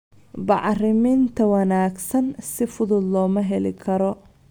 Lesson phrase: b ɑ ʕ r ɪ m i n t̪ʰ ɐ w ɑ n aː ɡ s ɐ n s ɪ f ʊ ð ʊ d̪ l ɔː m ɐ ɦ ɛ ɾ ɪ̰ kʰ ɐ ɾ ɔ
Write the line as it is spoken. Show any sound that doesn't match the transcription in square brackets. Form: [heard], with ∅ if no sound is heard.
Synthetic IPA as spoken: b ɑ ʕ r ɪ m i n t̪ʰ ɐ w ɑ n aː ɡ s ɐ n s ɪ f ʊ ð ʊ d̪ l ɔː m ɐ ɦ ɛ [l] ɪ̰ kʰ ɐ ɾ ɔ

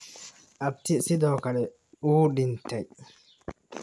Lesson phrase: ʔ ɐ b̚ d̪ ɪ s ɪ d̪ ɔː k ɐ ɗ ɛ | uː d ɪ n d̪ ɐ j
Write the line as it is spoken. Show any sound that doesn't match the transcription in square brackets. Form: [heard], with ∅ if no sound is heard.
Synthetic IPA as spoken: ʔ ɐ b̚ [t̪] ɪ s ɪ d̪ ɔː k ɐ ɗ ɛ | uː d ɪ n [t̪] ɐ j

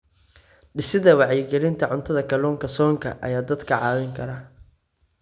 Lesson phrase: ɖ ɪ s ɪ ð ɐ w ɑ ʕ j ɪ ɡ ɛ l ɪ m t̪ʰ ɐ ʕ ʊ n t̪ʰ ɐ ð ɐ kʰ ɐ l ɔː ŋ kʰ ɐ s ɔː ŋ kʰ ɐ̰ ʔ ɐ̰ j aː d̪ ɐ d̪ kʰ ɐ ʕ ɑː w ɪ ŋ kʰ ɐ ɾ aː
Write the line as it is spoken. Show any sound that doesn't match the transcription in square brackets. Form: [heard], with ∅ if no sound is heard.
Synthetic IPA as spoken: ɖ ɪ s ɪ ð ɐ w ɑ ʕ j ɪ ɡ ɛ l ɪ [n] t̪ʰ ɐ ʕ ʊ n t̪ʰ ɐ ð ɐ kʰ ɐ l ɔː ŋ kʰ ɐ s ɔː ŋ kʰ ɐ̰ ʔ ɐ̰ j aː d̪ ɐ d̪ kʰ ɐ ʕ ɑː w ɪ ŋ kʰ ɐ ɾ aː

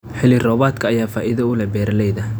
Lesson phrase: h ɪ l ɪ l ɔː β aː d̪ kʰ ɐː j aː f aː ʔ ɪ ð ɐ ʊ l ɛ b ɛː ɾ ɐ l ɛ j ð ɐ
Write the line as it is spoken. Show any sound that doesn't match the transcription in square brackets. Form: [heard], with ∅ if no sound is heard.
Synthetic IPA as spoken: [ħ] ɪ l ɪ [r] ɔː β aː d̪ kʰ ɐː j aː f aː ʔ ɪ ð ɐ ʊ l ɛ b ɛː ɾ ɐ l ɛ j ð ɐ

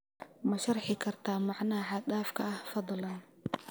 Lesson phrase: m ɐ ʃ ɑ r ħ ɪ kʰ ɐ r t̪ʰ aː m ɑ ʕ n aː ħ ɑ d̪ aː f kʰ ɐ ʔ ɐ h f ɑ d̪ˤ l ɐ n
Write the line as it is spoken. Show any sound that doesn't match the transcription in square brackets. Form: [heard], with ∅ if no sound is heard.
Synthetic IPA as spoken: m ɐ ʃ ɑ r ħ ɪ kʰ ɐ r t̪ʰ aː m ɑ ʕ n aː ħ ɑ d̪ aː f kʰ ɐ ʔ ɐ h f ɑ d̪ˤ l ɐ n

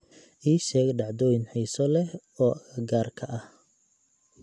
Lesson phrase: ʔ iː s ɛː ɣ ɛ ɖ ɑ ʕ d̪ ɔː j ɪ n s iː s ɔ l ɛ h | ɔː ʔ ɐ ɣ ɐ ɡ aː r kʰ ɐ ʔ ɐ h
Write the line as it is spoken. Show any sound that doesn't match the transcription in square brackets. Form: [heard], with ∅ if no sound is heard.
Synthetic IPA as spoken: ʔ iː [ʃ] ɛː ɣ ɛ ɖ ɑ ʕ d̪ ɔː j ɪ n [ħ] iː s ɔ l ɛ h | ɔː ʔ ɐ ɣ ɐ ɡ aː r kʰ ɐ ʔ ɐ h

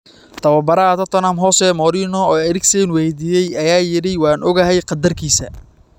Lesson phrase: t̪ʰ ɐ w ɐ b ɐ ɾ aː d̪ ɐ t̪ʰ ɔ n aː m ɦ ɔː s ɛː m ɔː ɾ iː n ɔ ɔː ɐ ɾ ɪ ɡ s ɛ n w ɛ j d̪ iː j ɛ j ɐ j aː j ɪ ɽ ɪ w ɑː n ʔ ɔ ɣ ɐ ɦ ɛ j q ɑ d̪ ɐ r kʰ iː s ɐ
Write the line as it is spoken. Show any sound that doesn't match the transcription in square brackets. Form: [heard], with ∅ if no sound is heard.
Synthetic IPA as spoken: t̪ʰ ɐ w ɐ b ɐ ɾ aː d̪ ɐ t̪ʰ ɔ n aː m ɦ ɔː s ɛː m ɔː ɾ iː n ɔ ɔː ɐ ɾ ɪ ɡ s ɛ n w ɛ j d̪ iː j ɛ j ɐ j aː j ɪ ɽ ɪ w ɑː n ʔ ɔ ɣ ɐ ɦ ɛ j q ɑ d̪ ɐ r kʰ iː s ɐ

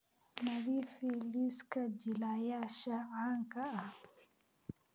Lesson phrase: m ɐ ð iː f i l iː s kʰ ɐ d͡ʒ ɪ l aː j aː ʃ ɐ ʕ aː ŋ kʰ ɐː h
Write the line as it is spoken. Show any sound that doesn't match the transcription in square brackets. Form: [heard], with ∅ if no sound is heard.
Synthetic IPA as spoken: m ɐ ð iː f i l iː s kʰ ɐ d͡ʒ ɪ l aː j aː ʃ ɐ ʕ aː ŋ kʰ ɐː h

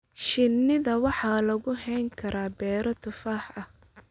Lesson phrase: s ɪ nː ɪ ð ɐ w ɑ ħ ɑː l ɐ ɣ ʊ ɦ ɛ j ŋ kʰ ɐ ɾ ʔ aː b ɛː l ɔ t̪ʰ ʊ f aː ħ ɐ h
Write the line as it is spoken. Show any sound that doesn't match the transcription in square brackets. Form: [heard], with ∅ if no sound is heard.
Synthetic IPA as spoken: [ʃ] ɪ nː ɪ ð ɐ w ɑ ħ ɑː l ɐ ɣ ʊ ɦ ɛ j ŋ kʰ ɐ ɾ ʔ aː b ɛː [ɾ] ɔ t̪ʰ ʊ f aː ħ ɐ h

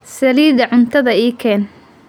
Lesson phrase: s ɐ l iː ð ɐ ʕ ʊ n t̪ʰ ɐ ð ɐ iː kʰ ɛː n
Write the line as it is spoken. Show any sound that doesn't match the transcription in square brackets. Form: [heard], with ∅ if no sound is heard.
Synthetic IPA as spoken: s ɐ l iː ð ɐ ʕ ʊ n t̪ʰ ɐ ð ɐ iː kʰ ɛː n

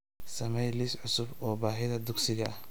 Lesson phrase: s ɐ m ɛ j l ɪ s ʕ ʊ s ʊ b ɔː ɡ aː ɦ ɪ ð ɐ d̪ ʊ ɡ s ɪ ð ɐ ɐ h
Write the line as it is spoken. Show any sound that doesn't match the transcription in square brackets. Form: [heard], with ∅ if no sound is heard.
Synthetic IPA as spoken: s ɐ m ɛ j l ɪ s ʕ ʊ s ʊ b ɔː [b] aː ɦ ɪ ð ɐ d̪ ʊ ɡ s ɪ [ɣ] ɐ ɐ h

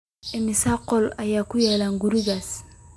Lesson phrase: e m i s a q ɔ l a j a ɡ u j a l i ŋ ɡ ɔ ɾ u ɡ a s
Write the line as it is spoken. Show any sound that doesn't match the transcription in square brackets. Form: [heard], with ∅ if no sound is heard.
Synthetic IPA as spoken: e m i s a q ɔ l a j a [k] u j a l [a] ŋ ɡ [u] ɾ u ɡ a s

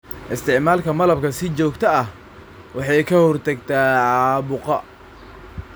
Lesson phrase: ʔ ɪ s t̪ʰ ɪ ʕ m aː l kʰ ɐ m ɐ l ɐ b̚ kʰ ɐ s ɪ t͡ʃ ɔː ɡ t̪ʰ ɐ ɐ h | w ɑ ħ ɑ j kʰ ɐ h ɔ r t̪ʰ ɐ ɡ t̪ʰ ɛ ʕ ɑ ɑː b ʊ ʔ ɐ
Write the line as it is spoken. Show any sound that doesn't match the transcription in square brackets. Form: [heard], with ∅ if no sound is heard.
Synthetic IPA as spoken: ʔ ɪ s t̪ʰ ɪ ʕ m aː l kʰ ɐ m ɐ l ɐ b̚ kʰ ɐ s ɪ t͡ʃ ɔː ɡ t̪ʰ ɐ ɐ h | w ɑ ħ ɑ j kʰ ɐ h ɔ r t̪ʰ ɐ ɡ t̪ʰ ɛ ʕ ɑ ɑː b ʊ [q] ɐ

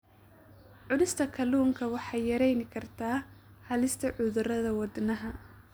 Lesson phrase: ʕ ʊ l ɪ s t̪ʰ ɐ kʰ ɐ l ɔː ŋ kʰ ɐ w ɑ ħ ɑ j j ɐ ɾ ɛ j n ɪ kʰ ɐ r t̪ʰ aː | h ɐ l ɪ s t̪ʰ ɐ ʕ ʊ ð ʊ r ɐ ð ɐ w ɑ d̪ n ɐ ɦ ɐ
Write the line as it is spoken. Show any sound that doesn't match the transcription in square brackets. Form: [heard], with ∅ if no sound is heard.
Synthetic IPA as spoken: ʕ ʊ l ɪ s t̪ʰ ɐ kʰ ɐ l [uː] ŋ kʰ ɐ w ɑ ħ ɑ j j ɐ ɾ ɛ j n ɪ kʰ ɐ r t̪ʰ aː | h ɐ l ɪ s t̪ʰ ɐ ʕ ʊ ð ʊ r ɐ ð ɐ w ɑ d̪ n ɐ ɦ ɐ

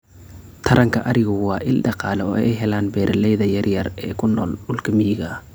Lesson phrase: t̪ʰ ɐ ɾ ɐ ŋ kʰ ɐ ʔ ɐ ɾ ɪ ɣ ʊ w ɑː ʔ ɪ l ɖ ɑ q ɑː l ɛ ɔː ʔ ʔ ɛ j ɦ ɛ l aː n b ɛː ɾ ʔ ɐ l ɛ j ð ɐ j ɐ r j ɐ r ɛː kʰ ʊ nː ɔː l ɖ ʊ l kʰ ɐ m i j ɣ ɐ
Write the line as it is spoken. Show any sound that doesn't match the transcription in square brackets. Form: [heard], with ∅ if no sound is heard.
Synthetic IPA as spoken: t̪ʰ ɐ ɾ ɐ ŋ kʰ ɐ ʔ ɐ ɾ ɪ ɣ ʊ w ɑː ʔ ɪ l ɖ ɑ q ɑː l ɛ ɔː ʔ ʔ ɛ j ɦ ɛ l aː n b ɛː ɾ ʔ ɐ l ɛ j ð ɐ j ɐ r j ɐ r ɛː kʰ ʊ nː ɔː l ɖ ʊ l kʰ ɐ m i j ɣ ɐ

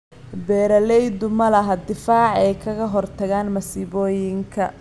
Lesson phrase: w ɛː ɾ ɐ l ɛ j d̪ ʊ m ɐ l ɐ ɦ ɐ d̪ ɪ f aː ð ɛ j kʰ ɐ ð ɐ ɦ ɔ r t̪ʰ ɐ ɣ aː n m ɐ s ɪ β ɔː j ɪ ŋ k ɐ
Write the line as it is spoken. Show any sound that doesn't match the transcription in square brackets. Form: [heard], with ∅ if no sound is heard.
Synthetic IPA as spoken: [b] ɛː ɾ ɐ l ɛ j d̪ ʊ m ɐ l ɐ ɦ ɐ d̪ ɪ f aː [ʕ] ɛ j kʰ ɐ [ɣ] ɐ ɦ ɔ r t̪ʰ ɐ ɣ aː n m ɐ s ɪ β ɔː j ɪ ŋ [kʰ] ɐ

